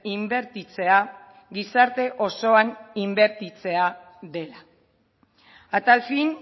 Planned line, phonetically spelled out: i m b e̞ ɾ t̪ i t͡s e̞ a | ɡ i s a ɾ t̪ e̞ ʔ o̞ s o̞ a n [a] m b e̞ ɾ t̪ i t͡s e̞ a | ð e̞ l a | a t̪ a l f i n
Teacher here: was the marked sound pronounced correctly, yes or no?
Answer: no